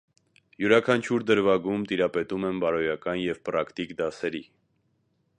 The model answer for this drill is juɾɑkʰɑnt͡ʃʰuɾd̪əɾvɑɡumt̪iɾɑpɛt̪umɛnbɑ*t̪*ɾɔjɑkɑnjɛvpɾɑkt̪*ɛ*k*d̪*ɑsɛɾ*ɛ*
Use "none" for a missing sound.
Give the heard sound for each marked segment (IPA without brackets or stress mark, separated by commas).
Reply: none, i, d̪, i